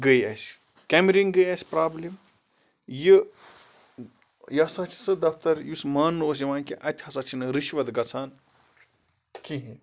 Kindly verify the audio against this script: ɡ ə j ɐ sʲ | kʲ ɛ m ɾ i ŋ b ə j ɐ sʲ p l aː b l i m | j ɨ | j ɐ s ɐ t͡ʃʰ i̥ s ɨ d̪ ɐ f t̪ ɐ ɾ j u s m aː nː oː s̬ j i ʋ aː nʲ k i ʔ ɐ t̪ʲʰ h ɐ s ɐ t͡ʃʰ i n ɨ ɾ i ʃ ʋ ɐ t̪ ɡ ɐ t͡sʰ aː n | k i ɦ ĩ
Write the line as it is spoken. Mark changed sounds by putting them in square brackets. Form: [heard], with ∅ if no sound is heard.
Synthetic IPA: ɡ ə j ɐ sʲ | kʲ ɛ m ɾ i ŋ [ɡ] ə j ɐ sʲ p [ɾ] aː b l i m | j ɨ | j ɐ s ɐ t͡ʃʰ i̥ s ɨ d̪ ɐ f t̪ ɐ ɾ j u s m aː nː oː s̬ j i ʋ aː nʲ k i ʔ ɐ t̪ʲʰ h ɐ s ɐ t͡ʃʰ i n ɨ ɾ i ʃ ʋ ɐ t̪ ɡ ɐ t͡sʰ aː n | k i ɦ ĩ